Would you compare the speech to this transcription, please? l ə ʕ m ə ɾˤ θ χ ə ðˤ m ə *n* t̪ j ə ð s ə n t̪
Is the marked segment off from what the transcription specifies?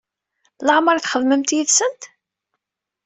yes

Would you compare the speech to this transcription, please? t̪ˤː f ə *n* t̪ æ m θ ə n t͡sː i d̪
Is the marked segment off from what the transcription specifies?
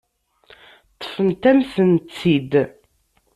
no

